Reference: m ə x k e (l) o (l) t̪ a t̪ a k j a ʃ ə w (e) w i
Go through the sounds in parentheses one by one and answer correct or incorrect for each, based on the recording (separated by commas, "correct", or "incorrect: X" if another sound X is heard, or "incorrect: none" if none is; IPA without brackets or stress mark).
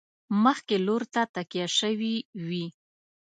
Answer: correct, incorrect: ɾ, incorrect: i